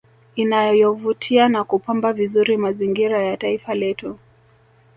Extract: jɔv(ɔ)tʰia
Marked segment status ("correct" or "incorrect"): incorrect